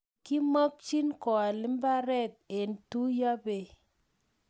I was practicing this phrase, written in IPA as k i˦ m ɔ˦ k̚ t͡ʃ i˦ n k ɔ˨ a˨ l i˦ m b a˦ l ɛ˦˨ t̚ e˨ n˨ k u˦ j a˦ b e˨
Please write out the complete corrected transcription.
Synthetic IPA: k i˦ m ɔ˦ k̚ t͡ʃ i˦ n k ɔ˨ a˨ l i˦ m b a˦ ɾ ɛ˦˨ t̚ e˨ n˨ t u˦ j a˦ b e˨